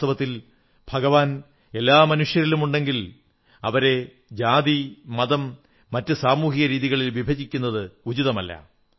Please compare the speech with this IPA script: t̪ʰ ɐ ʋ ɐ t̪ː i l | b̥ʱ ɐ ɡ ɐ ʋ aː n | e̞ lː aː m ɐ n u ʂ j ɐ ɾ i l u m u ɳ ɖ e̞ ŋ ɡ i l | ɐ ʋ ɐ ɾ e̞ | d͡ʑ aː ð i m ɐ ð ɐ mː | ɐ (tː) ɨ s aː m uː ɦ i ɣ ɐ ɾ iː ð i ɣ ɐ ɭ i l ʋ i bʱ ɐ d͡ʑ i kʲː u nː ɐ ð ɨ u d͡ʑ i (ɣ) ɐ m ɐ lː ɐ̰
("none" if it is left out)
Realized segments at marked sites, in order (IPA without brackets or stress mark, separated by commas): tː, ð